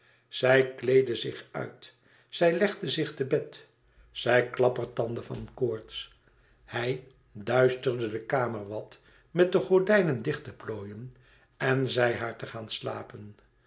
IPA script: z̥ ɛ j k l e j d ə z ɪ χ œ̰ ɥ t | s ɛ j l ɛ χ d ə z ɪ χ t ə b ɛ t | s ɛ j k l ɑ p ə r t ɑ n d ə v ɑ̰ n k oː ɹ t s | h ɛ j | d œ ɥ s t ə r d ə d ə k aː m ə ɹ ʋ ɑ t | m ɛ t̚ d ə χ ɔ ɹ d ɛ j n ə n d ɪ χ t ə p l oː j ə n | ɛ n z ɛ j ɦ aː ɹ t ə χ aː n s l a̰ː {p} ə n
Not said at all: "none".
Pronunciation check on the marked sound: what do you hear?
p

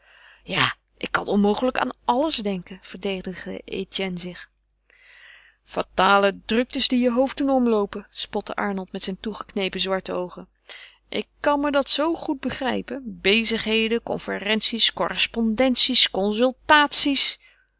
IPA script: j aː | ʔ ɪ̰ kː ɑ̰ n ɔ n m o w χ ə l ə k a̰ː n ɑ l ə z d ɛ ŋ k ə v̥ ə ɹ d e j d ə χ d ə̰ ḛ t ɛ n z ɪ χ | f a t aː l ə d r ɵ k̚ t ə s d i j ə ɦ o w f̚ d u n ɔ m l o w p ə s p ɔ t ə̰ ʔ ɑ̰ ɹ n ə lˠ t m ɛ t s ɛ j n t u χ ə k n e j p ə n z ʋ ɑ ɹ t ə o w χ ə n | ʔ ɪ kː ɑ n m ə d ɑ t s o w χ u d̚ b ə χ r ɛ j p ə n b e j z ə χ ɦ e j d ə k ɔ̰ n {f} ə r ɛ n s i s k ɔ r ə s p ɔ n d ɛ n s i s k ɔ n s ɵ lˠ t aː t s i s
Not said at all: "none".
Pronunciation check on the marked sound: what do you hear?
f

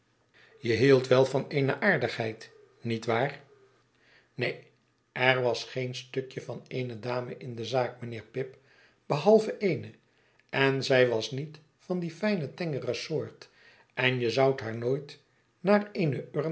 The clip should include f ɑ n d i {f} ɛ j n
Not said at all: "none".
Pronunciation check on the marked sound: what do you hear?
f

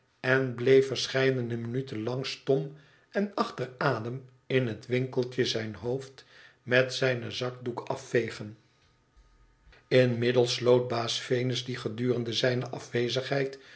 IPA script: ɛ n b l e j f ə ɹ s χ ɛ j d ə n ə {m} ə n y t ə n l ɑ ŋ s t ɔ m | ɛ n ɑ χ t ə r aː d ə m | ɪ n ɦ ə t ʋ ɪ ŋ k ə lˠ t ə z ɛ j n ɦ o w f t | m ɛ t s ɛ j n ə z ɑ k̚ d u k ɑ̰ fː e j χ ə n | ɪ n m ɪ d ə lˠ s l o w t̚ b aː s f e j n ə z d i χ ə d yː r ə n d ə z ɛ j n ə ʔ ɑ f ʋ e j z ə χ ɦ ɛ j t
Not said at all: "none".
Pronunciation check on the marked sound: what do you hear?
m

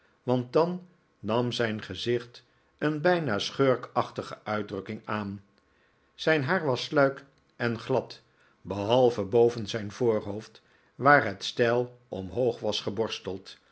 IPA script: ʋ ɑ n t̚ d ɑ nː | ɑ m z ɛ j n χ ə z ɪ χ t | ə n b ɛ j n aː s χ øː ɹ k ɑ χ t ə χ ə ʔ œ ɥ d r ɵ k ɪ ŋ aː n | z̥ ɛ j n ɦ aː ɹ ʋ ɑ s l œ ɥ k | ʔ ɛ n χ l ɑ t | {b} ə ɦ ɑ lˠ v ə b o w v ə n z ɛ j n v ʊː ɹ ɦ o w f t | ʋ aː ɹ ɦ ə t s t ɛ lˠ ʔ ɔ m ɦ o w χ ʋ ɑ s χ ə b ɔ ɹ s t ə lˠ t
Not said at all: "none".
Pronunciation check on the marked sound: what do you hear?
b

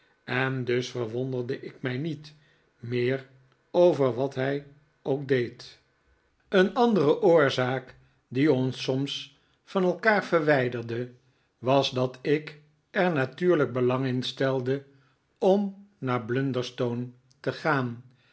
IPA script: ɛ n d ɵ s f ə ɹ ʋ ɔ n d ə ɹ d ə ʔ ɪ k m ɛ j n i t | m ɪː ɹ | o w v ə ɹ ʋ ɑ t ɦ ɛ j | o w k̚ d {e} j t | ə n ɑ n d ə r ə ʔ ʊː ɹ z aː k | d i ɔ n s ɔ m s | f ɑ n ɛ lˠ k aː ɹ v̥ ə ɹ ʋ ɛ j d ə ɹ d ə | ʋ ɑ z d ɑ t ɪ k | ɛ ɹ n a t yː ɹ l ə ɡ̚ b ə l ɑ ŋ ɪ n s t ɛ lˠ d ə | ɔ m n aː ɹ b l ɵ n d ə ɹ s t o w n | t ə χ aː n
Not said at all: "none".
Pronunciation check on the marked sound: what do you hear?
e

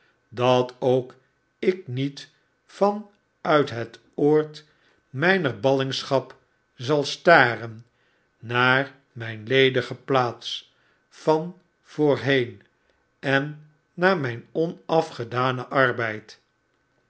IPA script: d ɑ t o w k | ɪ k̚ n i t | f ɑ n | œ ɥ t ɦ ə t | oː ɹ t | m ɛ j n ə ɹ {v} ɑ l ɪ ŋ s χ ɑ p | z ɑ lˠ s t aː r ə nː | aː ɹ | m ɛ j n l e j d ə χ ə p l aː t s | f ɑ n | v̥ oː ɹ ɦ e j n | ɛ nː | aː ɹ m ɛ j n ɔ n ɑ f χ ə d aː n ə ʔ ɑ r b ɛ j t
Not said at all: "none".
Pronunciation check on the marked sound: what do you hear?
b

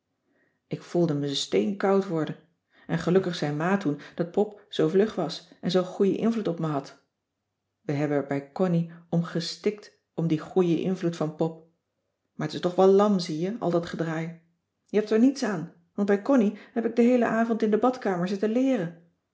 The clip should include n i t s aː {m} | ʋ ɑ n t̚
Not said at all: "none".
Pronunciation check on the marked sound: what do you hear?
n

